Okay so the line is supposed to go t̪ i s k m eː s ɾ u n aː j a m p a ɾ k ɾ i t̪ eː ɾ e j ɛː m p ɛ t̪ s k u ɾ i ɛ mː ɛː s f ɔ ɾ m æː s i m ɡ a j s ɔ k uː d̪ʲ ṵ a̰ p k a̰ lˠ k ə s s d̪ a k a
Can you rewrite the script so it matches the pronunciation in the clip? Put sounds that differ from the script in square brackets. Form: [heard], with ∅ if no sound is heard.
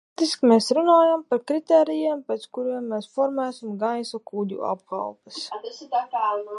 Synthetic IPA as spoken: t̪ i s k m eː s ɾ u n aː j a m p a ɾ k ɾ i t̪ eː ɾ [i] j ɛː m p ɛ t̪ s k u ɾ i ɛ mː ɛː s f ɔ ɾ m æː s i m ɡ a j s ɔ k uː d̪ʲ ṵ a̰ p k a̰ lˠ [p] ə s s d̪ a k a